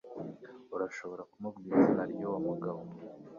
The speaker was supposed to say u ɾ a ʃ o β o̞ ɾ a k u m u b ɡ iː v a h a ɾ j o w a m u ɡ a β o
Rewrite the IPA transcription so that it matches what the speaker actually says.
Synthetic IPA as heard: u ɾ a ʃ o β o̞ ɾ a k u m u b ɡ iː z a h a ɾ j o w a m u ɡ a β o